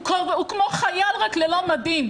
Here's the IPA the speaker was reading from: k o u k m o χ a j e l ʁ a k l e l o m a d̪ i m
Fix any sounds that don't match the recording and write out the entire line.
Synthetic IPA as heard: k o u k m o χ a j a l ʁ a k l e l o m a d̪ i m